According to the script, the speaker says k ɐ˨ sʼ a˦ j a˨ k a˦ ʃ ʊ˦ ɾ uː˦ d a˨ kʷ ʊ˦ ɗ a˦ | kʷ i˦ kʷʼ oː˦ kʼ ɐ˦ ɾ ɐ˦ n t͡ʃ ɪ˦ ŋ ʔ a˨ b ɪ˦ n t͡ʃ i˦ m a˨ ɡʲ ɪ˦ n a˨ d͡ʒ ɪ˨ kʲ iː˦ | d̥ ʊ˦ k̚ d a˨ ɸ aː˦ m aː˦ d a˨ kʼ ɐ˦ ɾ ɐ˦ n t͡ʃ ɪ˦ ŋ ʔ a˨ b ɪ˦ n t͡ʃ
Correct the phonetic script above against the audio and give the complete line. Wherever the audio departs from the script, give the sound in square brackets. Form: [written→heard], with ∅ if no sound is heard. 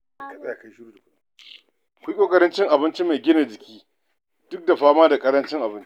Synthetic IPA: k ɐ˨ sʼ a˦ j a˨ k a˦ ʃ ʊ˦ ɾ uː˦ d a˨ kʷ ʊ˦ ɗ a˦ | kʷ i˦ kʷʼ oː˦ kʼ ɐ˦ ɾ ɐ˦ n t͡ʃ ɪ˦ ŋ ʔ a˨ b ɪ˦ n t͡ʃ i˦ m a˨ ɡʲ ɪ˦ n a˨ d͡ʒ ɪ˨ kʲ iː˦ | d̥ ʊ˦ k̚ d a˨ ɸ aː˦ m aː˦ d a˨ kʼ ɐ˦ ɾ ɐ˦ n t͡ʃ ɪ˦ ŋ ʔ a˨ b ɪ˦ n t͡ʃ